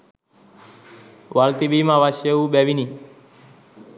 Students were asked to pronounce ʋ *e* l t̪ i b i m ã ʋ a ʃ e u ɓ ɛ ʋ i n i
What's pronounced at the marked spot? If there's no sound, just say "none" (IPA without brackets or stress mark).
a